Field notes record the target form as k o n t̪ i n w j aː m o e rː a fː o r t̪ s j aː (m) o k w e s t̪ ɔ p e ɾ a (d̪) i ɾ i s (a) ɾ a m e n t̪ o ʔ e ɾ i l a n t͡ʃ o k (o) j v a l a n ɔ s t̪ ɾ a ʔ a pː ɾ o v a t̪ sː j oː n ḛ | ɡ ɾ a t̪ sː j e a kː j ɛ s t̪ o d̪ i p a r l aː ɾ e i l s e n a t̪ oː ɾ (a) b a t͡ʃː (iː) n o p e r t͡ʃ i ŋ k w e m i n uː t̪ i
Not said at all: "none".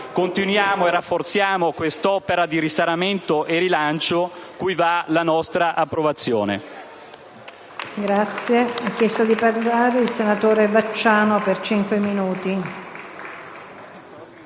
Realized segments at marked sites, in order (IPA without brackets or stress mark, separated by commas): m, d̪, a, u, e, aː